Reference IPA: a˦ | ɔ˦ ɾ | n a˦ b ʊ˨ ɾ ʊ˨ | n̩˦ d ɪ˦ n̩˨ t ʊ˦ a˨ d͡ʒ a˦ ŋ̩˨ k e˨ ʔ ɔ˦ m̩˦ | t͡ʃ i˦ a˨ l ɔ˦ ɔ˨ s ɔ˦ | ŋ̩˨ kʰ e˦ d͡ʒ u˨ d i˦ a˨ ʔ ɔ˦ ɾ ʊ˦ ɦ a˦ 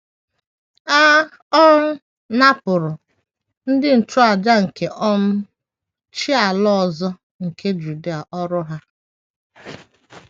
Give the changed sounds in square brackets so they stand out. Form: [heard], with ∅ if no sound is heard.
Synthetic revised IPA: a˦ | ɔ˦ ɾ | n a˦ [p] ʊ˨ ɾ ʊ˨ | n̩˦ d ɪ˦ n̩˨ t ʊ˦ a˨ d͡ʒ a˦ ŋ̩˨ k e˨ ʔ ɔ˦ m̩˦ | t͡ʃ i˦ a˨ l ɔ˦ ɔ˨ [z] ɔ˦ | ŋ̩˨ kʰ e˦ d͡ʒ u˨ d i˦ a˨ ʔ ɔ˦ ɾ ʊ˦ ɦ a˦